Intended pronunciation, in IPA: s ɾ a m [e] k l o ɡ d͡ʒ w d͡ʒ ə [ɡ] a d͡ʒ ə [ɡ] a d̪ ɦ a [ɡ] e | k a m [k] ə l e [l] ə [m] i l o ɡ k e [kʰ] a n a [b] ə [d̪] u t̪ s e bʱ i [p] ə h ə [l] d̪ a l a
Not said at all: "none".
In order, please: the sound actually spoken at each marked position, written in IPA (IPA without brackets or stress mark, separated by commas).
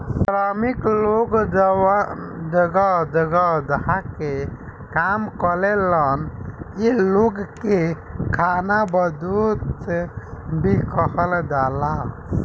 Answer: i, ɡ, ɡ, k, k, l, n, kʰ, b, d̪, k, l